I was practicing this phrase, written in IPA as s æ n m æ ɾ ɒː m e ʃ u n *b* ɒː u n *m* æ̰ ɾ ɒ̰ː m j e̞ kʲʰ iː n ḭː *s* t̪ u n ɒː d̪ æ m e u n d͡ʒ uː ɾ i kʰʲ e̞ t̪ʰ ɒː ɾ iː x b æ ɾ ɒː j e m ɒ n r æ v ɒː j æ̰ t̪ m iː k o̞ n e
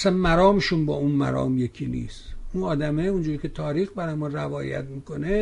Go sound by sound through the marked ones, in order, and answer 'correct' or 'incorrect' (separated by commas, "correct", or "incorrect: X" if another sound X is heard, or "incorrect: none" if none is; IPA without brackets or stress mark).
correct, correct, correct